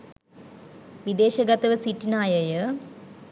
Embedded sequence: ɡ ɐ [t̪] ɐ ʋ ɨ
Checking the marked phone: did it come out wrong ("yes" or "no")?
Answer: no